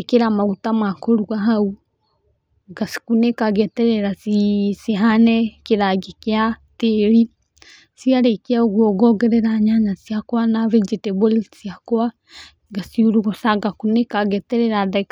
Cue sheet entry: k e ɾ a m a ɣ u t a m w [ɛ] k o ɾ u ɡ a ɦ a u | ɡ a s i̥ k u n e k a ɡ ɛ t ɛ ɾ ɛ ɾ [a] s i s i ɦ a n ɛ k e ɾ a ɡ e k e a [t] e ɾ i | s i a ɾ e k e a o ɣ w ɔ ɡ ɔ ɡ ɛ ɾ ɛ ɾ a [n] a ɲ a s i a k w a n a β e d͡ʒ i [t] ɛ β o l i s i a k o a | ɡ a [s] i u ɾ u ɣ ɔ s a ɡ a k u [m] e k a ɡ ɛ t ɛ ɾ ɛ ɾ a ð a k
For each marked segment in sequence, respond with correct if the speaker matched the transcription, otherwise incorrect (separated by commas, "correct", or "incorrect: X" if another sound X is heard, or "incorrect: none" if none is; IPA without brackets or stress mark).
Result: incorrect: a, correct, correct, incorrect: ɲ, correct, correct, incorrect: n